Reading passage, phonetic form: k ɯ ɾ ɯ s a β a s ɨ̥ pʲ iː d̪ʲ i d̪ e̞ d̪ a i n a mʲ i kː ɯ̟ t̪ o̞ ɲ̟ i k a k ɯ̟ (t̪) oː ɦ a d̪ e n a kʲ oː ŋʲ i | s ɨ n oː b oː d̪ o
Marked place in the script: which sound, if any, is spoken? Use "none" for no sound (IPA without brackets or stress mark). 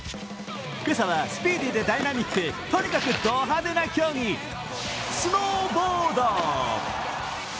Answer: d̪